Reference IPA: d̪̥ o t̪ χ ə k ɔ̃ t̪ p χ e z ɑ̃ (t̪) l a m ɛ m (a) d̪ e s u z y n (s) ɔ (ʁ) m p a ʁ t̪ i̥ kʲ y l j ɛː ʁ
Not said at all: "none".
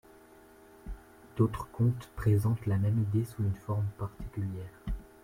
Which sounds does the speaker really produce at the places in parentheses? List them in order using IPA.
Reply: t̪, i, f, ʁ

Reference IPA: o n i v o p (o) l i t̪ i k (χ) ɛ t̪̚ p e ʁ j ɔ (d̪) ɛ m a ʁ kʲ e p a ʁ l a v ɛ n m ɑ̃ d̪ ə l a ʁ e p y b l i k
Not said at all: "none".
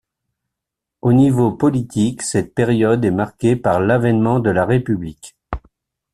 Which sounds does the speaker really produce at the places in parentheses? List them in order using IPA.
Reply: ɔ, s, d̪

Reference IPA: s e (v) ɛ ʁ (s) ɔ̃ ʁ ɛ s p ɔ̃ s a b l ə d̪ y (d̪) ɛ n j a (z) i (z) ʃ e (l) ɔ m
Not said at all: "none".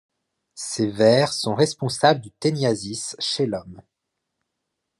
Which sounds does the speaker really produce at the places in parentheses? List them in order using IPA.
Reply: v, s, t̪, z, s, l

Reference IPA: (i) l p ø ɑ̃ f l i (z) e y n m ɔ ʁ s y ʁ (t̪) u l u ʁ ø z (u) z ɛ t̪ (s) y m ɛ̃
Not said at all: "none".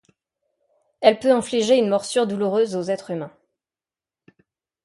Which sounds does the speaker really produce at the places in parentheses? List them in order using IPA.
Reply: ɛ, ʒ, d̪, o, χ

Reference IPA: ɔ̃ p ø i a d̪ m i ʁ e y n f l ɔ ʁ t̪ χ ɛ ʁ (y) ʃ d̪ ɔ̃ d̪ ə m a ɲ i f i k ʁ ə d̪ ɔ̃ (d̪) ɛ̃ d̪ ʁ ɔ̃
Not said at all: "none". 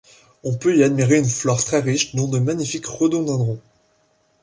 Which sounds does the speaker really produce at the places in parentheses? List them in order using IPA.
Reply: i, d̪

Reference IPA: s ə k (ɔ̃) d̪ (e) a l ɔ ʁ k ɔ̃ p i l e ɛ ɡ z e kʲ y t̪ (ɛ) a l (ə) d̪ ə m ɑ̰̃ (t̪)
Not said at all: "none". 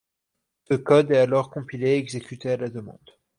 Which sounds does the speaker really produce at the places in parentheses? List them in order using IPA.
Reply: ɔ, ɛ, e, a, d̪

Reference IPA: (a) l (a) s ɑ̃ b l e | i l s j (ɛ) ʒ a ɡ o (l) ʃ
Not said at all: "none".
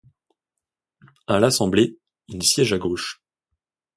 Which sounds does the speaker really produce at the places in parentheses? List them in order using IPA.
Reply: a, a, ɛ, none

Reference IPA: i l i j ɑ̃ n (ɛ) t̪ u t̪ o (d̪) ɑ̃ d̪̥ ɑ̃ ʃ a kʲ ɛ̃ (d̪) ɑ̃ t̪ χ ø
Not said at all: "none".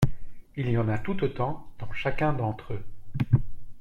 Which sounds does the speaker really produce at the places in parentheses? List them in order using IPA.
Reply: a, t̪, d̪

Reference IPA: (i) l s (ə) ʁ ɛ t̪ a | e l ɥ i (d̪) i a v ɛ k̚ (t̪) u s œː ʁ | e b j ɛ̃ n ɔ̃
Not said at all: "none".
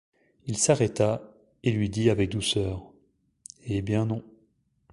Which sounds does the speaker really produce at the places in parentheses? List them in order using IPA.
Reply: i, a, d̪, d̪

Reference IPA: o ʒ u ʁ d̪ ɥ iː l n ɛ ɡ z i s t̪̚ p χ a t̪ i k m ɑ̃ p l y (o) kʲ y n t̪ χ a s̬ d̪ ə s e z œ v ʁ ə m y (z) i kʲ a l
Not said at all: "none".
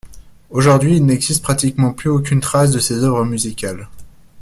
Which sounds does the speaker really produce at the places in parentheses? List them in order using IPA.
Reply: o, z

